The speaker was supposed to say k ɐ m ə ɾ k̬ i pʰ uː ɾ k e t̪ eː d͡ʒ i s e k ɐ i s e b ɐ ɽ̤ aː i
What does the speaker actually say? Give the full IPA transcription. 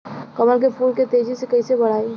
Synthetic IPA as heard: k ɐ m ə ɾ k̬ e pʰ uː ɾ k e t̪ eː d͡ʒ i s e k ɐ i s e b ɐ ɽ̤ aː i

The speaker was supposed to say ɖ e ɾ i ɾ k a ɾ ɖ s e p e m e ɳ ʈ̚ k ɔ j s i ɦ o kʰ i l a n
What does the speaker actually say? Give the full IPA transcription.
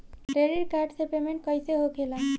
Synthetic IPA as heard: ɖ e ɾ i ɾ k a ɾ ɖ s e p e m e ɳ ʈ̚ k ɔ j s e ɦ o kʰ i l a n

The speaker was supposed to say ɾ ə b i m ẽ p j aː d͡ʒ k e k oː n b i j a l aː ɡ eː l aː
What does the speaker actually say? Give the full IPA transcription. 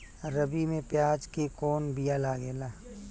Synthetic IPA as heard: ɾ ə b i m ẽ p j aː d͡ʒ k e k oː n b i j a l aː ɡ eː l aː

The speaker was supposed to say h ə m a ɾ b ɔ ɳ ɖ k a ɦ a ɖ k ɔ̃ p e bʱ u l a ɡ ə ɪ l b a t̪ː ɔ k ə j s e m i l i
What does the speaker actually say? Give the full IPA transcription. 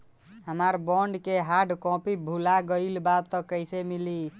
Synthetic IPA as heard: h ə m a ɾ b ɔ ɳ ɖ k e ɦ a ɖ k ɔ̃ p i bʱ u l a ɡ ə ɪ l b a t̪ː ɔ k ə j s e m i l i

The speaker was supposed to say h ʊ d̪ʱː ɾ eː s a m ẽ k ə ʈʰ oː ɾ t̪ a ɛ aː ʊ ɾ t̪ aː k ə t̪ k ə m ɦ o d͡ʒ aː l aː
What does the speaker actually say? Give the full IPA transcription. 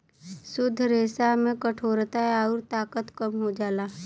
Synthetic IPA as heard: s ʊ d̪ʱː ɾ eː s a m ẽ k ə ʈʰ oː ɾ t̪ a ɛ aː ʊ ɾ t̪ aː k ə t̪ k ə m ɦ o d͡ʒ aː l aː

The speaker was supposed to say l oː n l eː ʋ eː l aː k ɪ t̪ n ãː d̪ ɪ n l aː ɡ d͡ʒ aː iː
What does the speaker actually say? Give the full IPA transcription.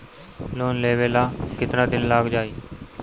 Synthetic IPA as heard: l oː n l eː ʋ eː l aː k ɪ t̪ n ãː d̪ ɪ n l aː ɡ d͡ʒ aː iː

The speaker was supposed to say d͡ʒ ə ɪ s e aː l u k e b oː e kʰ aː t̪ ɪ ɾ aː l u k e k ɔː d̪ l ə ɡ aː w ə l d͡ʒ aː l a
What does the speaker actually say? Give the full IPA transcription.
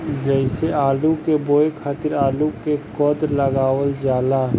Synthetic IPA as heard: d͡ʒ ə ɪ s e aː l u k e b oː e kʰ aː t̪ ɪ ɾ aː l u k e k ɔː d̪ l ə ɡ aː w ə l d͡ʒ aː l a

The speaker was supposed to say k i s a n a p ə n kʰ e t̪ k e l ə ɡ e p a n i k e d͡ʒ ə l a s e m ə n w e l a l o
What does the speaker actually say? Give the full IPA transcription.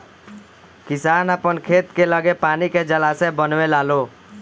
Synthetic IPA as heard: k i s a n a p ə n kʰ e t̪ k e l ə ɡ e p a n i k e d͡ʒ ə l a s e b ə n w e l a l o

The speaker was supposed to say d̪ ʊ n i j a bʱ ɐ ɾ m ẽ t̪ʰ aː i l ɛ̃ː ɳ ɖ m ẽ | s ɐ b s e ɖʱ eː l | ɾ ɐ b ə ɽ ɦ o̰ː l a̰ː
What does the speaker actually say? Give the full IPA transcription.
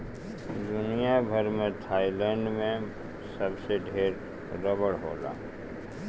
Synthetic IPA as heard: d̪ ʊ n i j a bʱ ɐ ɾ m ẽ t̪ʰ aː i l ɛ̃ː ɳ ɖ m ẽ | s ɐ b s e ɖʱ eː ɾ | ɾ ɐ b ə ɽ ɦ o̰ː l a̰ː

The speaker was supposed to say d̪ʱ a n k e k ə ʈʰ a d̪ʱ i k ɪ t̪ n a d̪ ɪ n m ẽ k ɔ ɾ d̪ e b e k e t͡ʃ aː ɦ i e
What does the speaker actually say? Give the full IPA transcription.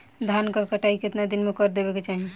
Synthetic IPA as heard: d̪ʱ a n k a k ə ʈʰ a i k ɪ t̪ n a d̪ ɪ n m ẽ k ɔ ɾ d̪ e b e k e t͡ʃ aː ɦ i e

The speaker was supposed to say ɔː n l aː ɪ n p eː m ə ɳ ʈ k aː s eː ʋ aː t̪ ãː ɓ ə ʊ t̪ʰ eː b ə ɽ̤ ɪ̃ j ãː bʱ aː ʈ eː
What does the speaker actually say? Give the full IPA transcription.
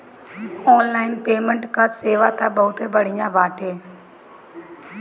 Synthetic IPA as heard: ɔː n l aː ɪ n p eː m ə ɳ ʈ k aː s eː ʋ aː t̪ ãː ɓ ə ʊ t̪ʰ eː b ə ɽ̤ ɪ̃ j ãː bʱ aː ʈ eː

